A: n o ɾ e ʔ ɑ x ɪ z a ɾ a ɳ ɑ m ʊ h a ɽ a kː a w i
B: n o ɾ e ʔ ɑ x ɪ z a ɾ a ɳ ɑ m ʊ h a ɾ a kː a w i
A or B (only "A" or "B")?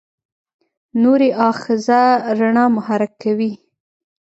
B